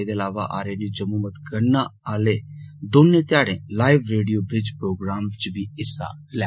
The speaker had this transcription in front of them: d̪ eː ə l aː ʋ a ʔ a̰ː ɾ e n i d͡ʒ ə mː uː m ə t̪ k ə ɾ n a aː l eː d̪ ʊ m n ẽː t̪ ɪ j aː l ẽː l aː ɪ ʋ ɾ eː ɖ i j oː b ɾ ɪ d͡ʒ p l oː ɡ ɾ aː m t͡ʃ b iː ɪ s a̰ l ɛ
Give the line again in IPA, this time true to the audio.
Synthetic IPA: d̪ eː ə l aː ʋ a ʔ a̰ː ɾ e n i d͡ʒ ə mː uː m ə t̪ k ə ɾ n a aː l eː d̪ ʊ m n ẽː t̪ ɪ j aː ɽ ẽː l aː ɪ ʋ ɾ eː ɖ i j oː b ɾ ɪ d͡ʒ p ɾ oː ɡ ɾ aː m t͡ʃ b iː ɪ s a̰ l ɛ